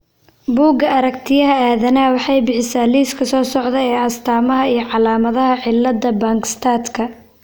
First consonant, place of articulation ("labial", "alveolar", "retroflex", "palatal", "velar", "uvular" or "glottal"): labial